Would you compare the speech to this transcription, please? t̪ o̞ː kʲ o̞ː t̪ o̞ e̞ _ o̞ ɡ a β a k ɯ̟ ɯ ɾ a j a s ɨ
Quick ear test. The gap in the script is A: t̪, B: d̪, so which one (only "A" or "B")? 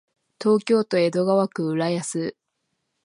B